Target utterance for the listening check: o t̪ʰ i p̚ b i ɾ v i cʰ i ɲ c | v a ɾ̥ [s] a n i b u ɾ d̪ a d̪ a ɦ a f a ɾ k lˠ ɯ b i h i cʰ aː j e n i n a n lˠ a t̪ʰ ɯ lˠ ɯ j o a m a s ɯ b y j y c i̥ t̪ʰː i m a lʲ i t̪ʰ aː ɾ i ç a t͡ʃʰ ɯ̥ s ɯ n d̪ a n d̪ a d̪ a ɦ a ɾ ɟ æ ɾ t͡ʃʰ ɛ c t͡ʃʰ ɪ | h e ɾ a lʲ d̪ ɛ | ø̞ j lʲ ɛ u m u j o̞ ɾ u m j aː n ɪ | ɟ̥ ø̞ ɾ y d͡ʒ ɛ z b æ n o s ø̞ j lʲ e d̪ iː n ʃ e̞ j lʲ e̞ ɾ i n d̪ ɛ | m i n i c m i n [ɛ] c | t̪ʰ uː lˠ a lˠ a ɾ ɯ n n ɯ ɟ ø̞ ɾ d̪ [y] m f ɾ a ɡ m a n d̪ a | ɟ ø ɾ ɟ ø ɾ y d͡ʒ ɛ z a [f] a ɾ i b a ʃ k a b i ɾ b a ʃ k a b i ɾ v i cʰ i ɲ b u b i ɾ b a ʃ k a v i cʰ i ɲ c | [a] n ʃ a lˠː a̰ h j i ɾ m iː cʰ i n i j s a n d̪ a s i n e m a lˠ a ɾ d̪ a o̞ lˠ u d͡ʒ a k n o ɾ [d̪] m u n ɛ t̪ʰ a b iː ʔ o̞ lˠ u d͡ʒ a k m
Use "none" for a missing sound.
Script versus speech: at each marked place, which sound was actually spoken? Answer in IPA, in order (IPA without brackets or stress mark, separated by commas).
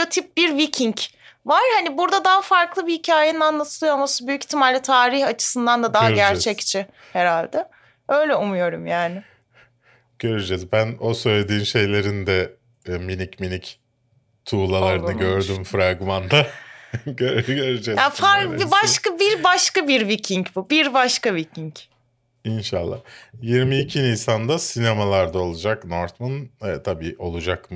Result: h, i, y, f, i, t̪